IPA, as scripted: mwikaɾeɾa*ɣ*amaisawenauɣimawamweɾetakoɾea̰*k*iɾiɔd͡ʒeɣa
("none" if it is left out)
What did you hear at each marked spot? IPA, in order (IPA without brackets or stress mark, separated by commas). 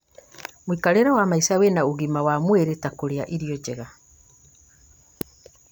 w, ʔ